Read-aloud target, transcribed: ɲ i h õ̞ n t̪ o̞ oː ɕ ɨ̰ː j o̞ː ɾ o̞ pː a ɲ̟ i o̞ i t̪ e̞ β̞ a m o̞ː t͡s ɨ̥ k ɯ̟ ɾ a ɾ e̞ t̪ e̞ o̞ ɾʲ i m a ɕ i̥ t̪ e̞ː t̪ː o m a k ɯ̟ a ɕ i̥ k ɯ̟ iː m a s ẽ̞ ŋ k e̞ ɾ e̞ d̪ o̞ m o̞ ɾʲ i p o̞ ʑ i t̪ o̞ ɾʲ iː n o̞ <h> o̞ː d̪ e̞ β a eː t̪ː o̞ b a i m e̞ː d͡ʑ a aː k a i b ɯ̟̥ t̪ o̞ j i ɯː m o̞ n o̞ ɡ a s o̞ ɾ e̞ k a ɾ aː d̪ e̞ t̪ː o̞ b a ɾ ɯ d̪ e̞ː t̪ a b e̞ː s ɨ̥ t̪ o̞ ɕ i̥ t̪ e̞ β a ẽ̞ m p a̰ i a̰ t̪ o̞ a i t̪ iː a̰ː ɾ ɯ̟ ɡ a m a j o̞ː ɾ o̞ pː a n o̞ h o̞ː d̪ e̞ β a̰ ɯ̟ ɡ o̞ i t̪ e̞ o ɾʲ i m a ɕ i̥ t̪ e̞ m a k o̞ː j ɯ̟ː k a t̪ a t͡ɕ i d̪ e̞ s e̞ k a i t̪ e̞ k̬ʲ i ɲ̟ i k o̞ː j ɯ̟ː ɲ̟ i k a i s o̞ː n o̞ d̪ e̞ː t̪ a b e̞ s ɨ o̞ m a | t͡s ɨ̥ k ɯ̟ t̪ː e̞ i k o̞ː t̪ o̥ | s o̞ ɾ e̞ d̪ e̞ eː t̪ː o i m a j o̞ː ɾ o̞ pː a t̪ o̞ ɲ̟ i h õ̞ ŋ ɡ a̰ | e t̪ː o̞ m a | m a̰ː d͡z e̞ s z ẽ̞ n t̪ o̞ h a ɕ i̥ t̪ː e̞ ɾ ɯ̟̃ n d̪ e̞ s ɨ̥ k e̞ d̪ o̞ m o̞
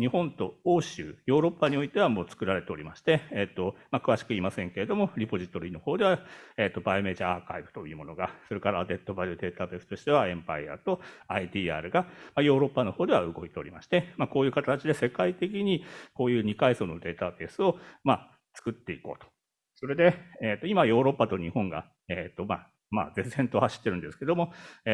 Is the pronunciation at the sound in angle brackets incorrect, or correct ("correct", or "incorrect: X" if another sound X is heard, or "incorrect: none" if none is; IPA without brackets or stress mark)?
correct